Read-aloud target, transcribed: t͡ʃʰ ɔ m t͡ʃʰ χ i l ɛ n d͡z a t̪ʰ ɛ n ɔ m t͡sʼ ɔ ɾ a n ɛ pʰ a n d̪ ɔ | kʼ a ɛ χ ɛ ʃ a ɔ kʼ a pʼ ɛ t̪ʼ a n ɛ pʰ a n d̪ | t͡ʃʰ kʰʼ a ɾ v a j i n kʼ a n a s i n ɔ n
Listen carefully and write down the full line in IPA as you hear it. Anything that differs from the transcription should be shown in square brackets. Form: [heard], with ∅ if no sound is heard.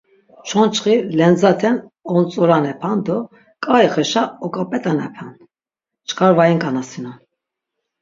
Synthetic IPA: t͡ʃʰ ɔ [n] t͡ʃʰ χ i l ɛ n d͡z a t̪ʰ ɛ n ɔ [n] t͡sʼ ɔ ɾ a n ɛ pʰ a n d̪ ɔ | kʼ a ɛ χ ɛ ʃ a ɔ kʼ a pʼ ɛ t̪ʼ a n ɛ pʰ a n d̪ | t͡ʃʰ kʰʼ a ɾ v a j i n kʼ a n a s i n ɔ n